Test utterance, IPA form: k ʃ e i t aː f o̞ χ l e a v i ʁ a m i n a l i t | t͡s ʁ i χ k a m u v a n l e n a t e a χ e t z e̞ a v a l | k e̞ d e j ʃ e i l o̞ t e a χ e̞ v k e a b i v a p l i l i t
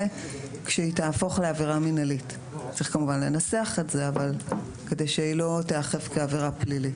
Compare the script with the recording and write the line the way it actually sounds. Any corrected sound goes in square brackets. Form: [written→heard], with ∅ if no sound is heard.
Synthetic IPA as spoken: k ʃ e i t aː f o̞ χ l e a v i ʁ a m i n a l i t | t͡s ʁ i χ k a m u v a n l e n a [t→s] e a χ e t z e̞ a v a l | k e̞ d e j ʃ e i l o̞ t e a χ e̞ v k e a [b→v] i [v→ʁ] a p l i l i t